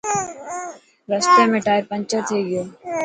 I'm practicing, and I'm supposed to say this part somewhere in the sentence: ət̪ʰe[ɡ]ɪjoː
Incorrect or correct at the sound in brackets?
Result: correct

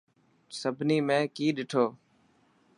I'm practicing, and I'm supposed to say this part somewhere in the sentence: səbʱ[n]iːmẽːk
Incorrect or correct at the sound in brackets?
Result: correct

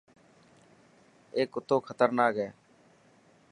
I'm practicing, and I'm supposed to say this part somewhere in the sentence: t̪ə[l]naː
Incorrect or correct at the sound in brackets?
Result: incorrect: ɾ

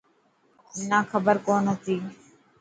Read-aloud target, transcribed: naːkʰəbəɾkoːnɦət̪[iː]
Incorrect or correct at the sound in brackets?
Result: correct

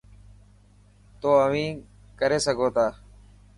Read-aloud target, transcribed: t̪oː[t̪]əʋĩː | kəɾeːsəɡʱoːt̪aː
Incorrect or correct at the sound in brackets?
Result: incorrect: none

